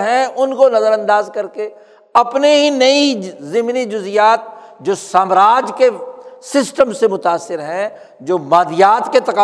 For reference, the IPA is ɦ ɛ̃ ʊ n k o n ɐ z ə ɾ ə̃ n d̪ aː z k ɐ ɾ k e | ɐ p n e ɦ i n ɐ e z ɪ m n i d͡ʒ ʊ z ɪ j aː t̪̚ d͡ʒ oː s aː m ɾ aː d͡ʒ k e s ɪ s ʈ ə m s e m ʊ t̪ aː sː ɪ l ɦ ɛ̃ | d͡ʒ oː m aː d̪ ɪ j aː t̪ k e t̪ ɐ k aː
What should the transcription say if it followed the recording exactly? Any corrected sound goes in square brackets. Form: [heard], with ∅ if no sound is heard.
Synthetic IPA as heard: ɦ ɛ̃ ʊ n k o n ɐ z ə ɾ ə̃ n d̪ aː z k ɐ ɾ k e | ɐ p n e ɦ i n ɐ [i] z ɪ m n i d͡ʒ ʊ z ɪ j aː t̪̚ d͡ʒ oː s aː m ɾ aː d͡ʒ k e s ɪ s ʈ ə m s e m ʊ t̪ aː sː ɪ [ɾ] ɦ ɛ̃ | d͡ʒ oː m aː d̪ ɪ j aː t̪ k e t̪ ɐ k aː